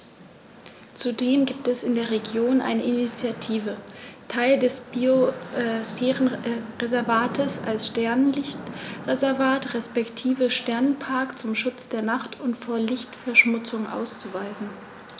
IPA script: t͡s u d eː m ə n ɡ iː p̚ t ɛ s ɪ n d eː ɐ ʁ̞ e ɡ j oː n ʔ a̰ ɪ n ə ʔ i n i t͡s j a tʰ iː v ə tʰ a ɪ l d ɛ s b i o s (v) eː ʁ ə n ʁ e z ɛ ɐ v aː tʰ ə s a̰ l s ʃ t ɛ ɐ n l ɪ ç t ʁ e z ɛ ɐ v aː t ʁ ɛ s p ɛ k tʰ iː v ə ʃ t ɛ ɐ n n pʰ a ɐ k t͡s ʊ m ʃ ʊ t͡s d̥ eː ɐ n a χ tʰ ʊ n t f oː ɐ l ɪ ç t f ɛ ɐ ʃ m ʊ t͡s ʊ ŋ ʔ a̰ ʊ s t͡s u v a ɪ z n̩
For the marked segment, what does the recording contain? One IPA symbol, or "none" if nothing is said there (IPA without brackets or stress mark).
f